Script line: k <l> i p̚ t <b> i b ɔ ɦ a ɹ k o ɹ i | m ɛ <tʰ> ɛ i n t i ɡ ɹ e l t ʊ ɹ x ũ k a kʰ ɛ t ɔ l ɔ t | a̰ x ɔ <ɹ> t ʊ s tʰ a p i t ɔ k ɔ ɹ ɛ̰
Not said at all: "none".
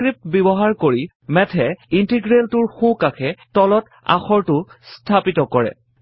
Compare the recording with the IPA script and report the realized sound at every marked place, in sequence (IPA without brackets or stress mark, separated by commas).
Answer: ɹ, b, tʰ, ɹ